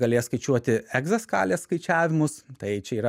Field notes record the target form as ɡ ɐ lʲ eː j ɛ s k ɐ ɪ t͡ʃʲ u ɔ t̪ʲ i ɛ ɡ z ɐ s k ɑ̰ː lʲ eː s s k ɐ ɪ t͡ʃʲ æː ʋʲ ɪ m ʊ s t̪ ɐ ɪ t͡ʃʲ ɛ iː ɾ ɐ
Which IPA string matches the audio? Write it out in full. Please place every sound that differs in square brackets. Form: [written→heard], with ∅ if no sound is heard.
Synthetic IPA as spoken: ɡ ɐ lʲ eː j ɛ s k ɐ ɪ t͡ʃʲ u ɔ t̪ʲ [i→ɪ] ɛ ɡ z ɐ s k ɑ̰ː lʲ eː s s k ɐ ɪ t͡ʃʲ æː ʋʲ ɪ m ʊ s t̪ ɐ ɪ t͡ʃʲ ɛ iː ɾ ɐ